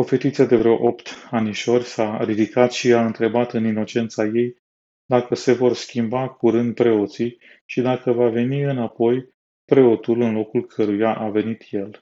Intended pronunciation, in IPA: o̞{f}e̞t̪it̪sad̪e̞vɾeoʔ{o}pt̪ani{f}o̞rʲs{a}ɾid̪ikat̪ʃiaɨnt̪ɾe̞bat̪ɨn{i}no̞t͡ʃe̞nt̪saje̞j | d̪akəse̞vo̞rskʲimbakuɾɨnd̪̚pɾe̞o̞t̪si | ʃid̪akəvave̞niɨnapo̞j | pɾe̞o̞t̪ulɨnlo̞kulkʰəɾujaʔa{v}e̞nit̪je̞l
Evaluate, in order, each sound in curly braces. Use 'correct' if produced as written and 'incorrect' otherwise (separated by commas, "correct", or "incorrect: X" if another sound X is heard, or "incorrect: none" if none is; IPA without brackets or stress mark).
correct, correct, incorrect: ʃ, correct, correct, correct